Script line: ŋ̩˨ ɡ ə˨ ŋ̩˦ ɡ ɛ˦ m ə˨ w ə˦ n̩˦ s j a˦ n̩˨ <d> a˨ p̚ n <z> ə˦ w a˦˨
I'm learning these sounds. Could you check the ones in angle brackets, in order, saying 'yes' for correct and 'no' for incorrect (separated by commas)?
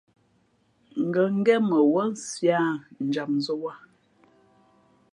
no, yes